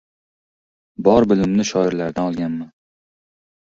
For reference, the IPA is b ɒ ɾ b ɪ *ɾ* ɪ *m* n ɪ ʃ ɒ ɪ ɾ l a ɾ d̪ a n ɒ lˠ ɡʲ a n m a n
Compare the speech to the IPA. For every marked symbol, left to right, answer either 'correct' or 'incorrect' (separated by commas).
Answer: incorrect, correct